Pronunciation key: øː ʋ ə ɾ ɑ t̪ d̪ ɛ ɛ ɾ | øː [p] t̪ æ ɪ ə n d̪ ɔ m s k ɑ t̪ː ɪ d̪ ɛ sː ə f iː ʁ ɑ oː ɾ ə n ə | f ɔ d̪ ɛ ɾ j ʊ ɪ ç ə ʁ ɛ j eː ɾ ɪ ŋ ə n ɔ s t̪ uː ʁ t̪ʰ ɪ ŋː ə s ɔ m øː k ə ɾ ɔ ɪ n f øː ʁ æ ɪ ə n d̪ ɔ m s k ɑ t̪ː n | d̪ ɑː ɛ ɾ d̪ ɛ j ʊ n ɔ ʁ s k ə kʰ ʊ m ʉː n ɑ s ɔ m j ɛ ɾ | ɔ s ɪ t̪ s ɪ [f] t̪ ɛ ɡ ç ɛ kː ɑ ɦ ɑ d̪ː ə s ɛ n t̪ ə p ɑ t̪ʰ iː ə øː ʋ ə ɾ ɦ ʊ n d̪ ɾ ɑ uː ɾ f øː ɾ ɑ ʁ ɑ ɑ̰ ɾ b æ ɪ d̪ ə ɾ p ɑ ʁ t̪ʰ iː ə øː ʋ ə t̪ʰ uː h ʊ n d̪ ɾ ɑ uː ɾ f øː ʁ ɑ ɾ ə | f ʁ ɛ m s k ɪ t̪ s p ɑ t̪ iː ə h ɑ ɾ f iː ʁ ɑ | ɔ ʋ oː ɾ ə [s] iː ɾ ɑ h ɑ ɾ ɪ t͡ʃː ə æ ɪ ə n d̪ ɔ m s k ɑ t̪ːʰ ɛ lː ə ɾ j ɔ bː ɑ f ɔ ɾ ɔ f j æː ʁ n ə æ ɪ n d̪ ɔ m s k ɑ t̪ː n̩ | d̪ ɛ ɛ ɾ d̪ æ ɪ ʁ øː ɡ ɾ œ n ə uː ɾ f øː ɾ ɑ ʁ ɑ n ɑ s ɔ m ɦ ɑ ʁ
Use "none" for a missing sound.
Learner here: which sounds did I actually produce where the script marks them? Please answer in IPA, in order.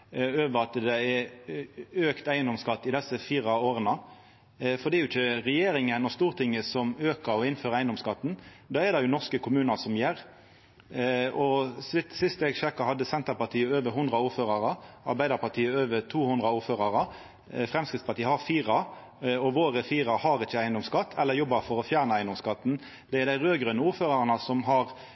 k, s, f

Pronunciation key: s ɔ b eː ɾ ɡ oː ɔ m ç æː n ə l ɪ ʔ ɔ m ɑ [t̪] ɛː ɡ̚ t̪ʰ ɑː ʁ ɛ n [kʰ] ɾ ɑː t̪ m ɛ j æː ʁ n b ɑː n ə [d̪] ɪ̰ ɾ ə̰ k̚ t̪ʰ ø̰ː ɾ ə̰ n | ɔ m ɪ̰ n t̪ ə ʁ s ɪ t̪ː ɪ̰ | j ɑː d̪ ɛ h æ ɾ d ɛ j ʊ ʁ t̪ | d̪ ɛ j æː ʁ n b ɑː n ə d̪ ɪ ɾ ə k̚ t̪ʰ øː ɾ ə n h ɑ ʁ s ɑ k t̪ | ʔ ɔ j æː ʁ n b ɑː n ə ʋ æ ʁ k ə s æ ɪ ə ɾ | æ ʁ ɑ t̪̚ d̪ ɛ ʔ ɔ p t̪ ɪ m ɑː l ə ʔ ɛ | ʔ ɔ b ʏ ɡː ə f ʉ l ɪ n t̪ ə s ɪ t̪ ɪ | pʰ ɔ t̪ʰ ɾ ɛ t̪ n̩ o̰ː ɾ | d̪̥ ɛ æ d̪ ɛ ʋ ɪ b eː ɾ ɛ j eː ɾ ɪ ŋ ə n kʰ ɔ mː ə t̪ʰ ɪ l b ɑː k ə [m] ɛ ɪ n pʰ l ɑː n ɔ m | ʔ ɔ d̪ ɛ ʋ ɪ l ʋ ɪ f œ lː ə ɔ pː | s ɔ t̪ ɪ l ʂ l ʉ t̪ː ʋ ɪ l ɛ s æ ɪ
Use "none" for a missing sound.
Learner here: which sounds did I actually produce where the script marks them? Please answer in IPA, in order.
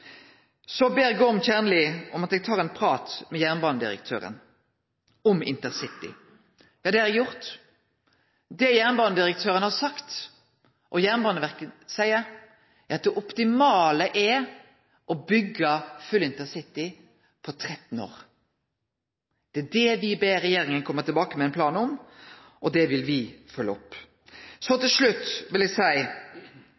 t̪, pʰ, d̪, m

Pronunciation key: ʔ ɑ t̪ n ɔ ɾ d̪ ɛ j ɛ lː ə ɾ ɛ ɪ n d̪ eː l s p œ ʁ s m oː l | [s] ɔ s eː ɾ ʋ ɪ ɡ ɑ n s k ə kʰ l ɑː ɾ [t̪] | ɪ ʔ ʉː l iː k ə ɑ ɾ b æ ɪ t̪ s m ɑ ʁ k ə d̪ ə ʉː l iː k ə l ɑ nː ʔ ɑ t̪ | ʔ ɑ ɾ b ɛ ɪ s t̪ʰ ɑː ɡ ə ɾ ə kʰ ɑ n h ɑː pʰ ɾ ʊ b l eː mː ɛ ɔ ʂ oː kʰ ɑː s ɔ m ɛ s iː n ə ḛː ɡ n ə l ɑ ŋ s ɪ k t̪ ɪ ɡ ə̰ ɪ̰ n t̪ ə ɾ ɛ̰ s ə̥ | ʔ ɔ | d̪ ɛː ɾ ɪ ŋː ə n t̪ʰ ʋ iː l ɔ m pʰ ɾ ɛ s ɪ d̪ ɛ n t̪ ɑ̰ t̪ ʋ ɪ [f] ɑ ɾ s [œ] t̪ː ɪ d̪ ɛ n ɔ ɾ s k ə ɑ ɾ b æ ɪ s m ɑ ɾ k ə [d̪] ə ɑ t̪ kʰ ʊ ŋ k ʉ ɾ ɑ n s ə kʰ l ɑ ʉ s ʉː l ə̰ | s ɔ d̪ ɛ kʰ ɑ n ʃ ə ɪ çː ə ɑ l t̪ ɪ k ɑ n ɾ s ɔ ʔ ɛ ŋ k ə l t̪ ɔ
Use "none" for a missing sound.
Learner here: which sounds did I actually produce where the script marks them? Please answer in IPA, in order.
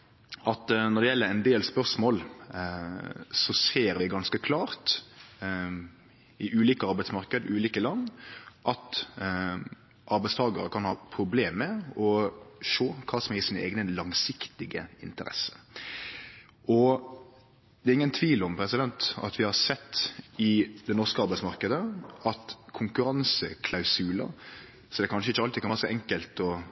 s, t̪, h, ɛ, d̪

